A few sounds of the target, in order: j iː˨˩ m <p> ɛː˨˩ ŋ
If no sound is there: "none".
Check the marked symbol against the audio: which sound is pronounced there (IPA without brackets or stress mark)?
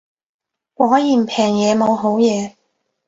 pʰ